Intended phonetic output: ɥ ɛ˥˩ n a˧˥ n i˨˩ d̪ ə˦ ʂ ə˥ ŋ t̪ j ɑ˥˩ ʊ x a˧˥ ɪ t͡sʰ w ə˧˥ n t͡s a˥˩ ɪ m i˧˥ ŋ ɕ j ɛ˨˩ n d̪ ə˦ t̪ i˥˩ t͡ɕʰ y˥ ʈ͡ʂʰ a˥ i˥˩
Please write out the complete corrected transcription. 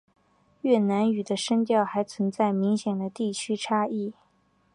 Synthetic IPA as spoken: ɥ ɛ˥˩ n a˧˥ n y˨˩ d̪ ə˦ ʂ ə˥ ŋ t̪ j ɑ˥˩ ʊ x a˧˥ ɪ t͡sʰ w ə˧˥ n t͡s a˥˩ ɪ m i˧˥ ŋ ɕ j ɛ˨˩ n d̪ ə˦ t̪ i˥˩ t͡ɕʰ y˥ ʈ͡ʂʰ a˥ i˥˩